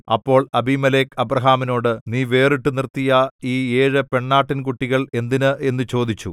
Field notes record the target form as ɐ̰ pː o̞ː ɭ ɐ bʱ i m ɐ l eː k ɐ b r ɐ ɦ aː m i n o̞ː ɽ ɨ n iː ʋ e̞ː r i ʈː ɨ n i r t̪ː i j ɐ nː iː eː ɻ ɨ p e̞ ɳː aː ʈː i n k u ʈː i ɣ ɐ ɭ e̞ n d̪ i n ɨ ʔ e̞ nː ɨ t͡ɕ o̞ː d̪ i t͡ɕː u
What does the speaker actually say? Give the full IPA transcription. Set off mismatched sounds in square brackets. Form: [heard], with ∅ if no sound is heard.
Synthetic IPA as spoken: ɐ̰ pː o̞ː ɭ ɐ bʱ i m ɐ l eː k ɐ b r ɐ ɦ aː m i n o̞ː ɽ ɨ n iː ʋ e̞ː r i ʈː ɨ n i r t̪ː i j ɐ [∅] iː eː ɻ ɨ p e̞ ɳː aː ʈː i n k u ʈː i ɣ ɐ ɭ e̞ n d̪ i n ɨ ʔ e̞ nː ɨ t͡ɕ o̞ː d̪ i t͡ɕː u